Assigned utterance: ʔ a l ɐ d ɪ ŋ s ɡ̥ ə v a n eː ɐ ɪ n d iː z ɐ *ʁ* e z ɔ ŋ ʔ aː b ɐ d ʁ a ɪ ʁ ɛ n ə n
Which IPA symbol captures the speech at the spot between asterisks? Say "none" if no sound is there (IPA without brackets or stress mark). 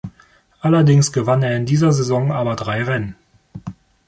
z